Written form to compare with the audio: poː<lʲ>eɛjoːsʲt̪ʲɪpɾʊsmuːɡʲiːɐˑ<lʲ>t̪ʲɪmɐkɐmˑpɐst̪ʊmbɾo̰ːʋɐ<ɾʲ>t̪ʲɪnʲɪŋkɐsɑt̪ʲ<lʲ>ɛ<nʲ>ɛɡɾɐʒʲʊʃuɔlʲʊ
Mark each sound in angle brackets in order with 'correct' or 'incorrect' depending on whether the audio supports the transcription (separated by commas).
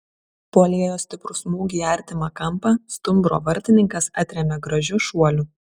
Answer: correct, incorrect, correct, incorrect, incorrect